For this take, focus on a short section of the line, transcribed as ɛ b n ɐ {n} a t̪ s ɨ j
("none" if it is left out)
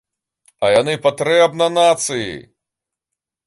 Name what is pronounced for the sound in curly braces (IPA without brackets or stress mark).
n